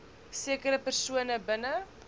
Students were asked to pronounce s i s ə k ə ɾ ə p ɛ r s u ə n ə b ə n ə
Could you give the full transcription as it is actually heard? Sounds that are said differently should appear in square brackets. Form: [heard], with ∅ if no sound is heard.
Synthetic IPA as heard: s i [∅] ə k ə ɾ ə p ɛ r s u ə n ə b ə n ə